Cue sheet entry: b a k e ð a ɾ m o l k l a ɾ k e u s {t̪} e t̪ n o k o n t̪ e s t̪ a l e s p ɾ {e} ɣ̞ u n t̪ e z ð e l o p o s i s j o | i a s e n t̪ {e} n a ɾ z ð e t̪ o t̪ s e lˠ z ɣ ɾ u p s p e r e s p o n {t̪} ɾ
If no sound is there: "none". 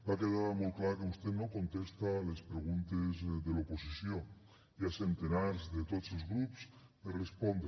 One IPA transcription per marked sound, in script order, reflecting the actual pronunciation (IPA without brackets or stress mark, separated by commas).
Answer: t̪, e, e, d̪